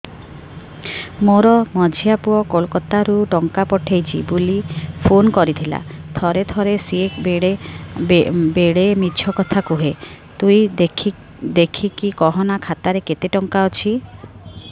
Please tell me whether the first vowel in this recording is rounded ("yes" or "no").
yes